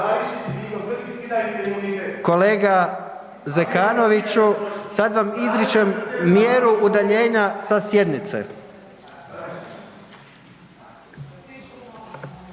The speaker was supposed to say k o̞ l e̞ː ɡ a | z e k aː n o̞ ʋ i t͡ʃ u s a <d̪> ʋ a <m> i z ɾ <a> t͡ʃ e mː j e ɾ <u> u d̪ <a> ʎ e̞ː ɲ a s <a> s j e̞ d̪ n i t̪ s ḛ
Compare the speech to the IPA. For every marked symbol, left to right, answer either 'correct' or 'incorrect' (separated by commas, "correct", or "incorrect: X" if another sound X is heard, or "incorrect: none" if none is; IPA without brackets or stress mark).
correct, correct, incorrect: i, correct, correct, correct